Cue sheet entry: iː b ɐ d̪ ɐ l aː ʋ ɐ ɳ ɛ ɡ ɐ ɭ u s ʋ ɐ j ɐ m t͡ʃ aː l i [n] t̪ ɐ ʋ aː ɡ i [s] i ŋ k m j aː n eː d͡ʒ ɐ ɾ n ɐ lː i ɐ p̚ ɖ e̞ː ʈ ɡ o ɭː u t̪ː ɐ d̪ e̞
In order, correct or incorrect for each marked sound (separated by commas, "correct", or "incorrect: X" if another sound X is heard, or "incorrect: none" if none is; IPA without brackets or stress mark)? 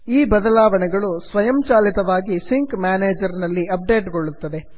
incorrect: none, correct